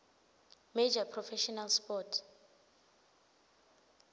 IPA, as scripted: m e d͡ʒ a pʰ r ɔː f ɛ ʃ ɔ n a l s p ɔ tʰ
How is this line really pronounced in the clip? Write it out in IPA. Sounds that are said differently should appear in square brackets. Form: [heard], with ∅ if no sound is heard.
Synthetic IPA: m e d͡ʒ a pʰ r [ɔ] f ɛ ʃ ɔ n a l s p ɔ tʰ